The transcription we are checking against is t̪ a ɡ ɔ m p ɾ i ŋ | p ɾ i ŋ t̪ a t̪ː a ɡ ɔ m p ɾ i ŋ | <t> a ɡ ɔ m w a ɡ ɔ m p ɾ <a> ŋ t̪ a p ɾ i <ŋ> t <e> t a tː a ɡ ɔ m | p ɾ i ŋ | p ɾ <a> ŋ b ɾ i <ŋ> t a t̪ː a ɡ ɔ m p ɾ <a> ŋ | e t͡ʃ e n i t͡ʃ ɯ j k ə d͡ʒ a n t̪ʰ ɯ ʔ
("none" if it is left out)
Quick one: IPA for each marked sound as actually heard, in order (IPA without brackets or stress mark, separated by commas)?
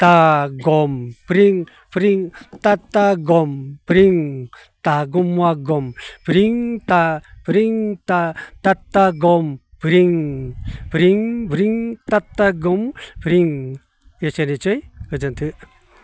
t, i, ŋ, a, i, ŋ, i